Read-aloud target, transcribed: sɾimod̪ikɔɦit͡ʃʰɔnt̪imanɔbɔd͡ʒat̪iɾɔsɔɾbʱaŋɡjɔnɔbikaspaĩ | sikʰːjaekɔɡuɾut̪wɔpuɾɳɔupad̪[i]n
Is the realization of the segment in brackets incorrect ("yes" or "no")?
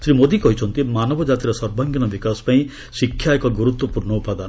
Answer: yes